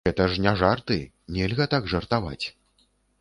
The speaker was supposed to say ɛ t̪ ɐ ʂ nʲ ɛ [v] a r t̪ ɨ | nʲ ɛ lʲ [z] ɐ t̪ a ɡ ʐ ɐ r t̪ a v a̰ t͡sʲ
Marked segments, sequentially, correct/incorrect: incorrect: ʐ, incorrect: ɣ

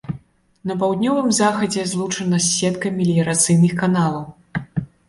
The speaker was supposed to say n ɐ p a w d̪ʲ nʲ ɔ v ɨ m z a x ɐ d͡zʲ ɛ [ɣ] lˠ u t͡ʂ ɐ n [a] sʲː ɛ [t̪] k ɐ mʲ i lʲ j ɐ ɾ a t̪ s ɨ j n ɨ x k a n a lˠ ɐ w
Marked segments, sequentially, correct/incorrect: incorrect: z, incorrect: ɐ, correct

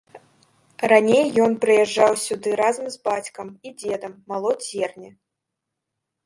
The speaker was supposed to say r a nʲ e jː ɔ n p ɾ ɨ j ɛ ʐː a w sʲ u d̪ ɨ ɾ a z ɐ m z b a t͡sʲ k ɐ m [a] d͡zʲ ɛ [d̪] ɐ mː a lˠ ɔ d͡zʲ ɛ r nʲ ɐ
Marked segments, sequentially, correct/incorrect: incorrect: i, correct

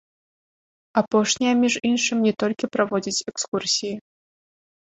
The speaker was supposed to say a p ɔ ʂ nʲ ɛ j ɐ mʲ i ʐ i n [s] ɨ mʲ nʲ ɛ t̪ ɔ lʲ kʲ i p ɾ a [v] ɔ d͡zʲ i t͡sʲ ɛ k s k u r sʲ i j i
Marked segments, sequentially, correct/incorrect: incorrect: ʂ, correct

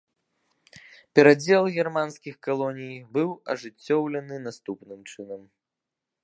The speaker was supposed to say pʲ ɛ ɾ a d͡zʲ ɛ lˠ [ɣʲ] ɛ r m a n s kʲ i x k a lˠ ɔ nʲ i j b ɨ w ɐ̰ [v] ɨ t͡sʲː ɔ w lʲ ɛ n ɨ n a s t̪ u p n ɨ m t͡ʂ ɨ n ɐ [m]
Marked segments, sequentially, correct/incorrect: correct, incorrect: ʐ, correct

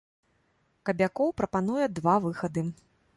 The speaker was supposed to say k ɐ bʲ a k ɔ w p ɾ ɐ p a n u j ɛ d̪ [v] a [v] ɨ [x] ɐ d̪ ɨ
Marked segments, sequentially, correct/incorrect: correct, correct, correct

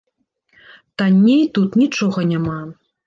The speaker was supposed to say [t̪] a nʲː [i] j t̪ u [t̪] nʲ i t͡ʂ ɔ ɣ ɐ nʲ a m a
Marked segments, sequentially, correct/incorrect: correct, incorrect: e, correct

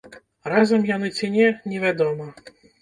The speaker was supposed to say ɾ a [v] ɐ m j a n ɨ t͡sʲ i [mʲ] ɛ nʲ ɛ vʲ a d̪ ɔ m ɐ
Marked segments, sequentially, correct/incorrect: incorrect: z, incorrect: nʲ

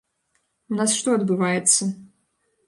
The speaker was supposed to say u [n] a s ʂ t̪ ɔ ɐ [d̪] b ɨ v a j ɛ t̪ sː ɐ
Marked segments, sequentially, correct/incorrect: correct, correct

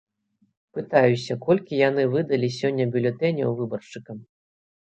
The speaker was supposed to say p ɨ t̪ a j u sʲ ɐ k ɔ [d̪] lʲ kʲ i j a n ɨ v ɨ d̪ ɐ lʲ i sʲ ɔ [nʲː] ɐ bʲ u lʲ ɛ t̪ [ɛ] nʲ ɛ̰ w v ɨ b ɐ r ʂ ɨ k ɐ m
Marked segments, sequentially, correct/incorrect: incorrect: none, correct, correct

